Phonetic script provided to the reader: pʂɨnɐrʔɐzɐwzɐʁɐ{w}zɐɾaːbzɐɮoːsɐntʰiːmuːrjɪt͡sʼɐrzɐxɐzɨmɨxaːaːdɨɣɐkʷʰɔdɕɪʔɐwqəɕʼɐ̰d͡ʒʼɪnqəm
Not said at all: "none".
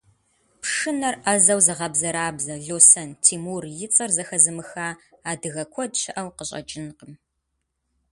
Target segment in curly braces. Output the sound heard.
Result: b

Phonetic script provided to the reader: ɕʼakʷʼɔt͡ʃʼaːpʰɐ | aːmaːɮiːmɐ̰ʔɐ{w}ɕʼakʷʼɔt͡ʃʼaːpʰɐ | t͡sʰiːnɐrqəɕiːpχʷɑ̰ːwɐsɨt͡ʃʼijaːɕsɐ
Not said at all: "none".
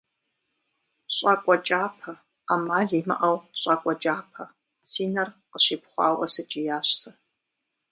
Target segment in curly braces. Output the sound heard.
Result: w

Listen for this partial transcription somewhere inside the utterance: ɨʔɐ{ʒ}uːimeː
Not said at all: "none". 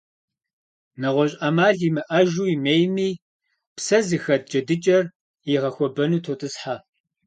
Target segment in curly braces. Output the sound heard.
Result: ʒ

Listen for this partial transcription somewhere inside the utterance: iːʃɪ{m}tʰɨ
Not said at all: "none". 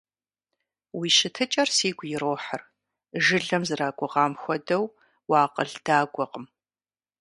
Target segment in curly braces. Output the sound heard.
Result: none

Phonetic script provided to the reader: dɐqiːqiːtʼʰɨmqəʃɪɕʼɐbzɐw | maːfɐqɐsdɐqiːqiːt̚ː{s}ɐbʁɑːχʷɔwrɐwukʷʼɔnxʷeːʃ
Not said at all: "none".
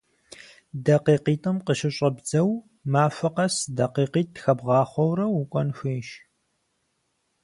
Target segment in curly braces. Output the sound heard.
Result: x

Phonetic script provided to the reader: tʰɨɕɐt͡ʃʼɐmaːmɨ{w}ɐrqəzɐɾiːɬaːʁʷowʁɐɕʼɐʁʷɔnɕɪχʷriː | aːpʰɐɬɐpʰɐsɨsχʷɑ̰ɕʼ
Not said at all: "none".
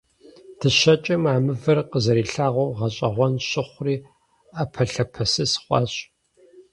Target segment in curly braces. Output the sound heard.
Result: v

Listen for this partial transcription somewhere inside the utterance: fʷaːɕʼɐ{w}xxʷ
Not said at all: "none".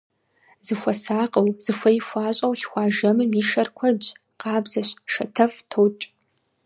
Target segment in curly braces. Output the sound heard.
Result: w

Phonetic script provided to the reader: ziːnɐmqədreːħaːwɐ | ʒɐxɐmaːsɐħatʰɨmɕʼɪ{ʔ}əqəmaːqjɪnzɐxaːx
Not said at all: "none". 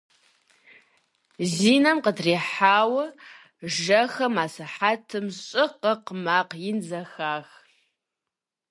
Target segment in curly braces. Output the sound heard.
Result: q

